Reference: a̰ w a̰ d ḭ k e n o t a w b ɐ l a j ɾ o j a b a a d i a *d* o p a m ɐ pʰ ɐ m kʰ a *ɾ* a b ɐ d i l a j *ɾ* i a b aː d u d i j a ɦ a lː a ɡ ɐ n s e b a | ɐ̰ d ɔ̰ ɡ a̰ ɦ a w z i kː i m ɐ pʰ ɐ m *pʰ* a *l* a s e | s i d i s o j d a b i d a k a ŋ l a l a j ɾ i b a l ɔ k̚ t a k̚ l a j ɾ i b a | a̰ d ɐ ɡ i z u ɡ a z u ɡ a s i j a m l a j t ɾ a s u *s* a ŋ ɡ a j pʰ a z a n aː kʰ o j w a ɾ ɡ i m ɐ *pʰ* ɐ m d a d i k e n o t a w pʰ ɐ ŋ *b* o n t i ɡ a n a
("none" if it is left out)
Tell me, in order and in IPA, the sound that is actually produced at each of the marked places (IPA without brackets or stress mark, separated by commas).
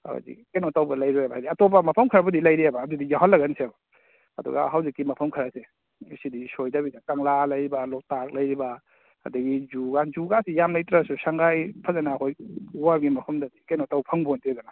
t, ɾ, ɾ, kʰ, ɾ, s, pʰ, b